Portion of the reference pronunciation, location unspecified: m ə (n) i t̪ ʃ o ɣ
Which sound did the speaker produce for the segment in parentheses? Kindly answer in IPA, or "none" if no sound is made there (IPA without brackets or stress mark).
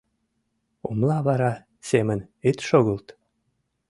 n